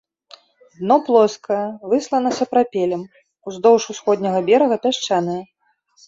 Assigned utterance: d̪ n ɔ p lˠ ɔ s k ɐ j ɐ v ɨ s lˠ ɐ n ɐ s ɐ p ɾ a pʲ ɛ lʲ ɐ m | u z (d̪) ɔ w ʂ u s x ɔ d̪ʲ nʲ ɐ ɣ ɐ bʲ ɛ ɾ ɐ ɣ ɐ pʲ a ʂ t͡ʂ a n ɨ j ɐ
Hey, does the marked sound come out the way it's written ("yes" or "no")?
yes